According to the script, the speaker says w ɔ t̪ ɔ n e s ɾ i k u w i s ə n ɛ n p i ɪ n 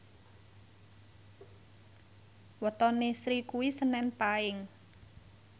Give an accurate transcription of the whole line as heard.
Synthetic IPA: w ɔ t̪ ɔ n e s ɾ i k u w i s ə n ɛ n p a ɪ ŋ